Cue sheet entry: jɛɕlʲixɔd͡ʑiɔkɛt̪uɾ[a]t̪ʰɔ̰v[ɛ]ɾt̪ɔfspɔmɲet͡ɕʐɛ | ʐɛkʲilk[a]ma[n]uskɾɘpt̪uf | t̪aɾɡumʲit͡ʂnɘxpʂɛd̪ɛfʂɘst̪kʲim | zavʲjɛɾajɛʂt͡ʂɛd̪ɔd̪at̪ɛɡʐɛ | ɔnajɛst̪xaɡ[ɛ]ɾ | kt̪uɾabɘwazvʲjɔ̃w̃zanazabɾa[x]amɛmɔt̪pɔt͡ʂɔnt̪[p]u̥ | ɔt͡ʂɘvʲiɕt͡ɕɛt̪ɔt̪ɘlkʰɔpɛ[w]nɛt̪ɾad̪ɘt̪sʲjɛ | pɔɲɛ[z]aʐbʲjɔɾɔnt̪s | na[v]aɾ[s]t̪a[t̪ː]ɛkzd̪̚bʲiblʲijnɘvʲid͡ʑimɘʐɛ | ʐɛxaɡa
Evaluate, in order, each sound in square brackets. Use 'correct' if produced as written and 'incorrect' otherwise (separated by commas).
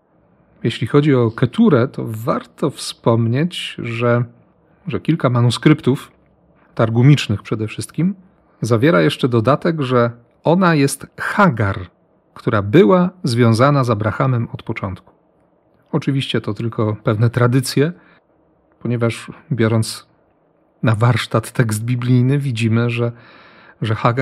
incorrect, incorrect, correct, correct, incorrect, correct, incorrect, incorrect, incorrect, correct, incorrect, correct